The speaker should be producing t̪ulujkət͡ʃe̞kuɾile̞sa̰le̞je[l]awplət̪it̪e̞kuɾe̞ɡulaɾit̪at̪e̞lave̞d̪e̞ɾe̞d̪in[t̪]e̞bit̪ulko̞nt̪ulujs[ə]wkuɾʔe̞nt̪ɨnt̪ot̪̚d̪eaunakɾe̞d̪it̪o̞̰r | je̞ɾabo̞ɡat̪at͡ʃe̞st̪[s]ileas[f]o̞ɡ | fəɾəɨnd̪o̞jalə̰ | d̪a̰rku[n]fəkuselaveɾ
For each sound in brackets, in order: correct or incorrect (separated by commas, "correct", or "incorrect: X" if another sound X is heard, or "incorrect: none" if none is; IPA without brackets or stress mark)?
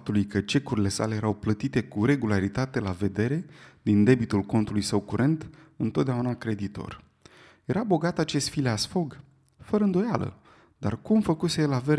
incorrect: ɾ, incorrect: d̪, correct, incorrect: f, correct, incorrect: m